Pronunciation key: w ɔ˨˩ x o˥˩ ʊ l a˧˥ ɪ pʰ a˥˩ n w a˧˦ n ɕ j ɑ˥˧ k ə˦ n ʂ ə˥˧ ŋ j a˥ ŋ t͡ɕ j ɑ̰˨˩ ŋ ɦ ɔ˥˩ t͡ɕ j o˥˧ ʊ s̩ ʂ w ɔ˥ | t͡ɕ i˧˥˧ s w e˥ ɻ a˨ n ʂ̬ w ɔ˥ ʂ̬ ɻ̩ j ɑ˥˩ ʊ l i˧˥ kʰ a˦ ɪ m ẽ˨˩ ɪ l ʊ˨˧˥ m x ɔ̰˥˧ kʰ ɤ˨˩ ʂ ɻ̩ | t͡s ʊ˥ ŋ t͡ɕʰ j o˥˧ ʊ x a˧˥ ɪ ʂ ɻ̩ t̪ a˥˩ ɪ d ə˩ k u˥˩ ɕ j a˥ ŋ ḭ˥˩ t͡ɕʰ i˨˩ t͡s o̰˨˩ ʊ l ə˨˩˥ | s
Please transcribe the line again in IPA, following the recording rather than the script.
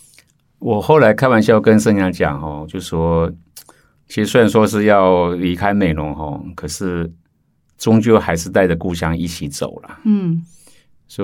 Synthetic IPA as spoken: w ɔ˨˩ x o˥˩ ʊ l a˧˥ ɪ kʰ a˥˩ n w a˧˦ n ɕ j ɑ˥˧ k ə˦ n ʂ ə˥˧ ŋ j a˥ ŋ t͡ɕ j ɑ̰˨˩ ŋ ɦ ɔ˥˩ t͡ɕ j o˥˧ ʊ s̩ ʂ w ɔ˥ | t͡ɕʰ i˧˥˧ s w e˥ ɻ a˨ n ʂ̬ w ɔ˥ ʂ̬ ɻ̩ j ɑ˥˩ ʊ l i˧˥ kʰ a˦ ɪ m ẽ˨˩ ɪ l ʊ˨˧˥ ŋ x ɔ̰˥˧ kʰ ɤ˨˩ ʂ ɻ̩ | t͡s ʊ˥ ŋ t͡ɕ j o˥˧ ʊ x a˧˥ ɪ ʂ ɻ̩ t̪ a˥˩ ɪ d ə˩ k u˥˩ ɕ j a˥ ŋ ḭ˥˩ t͡ɕʰ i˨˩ t͡s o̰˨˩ ʊ l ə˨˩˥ | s